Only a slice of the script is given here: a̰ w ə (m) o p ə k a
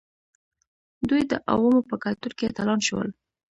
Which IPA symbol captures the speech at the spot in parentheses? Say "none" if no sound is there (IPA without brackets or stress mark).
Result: m